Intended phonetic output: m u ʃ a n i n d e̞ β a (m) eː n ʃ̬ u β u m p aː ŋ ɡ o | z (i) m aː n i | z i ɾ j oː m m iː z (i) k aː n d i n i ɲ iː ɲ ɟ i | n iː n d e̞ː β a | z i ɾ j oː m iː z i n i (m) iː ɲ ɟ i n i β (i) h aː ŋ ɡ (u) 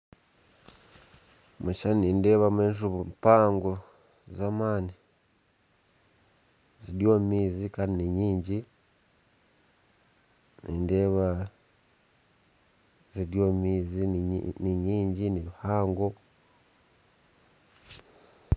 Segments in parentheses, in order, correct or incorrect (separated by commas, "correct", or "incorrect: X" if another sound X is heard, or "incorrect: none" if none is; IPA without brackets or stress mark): correct, incorrect: a, correct, incorrect: ɲ, correct, incorrect: o